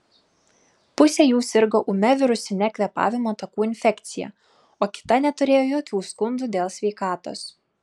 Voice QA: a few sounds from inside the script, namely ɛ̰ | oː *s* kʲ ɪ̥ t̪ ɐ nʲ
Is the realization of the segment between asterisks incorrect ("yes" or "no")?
yes